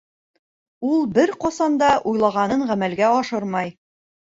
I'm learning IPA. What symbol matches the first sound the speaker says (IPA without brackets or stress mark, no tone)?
u